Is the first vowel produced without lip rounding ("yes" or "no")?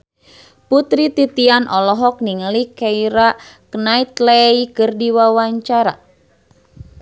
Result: no